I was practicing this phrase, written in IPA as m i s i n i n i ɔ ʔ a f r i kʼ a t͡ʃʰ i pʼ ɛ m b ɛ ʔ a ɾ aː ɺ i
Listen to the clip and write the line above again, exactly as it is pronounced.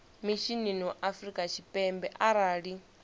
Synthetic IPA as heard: m i ʃ i n i n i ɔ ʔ a f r i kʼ a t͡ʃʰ i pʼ ɛ m b ɛ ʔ a ɾ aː ɺ i